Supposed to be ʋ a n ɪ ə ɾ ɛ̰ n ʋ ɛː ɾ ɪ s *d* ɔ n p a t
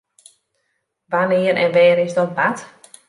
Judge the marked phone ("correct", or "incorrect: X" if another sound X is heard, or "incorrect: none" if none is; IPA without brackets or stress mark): correct